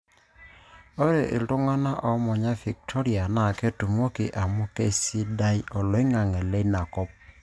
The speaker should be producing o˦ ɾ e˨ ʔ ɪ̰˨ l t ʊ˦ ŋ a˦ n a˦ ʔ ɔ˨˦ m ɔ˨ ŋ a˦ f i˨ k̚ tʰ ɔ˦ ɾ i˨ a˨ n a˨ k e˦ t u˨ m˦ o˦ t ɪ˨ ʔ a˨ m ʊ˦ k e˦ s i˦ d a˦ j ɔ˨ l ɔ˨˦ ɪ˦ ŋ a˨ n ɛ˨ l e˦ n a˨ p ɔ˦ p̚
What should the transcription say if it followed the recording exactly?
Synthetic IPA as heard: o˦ ɾ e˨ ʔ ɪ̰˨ l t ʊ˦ ŋ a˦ n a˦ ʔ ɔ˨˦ m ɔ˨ ɲ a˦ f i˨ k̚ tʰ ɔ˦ ɾ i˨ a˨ n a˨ k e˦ t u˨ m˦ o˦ k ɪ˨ ʔ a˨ m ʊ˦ k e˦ s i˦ d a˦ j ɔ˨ l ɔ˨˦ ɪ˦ ŋ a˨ ŋ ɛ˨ l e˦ n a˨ k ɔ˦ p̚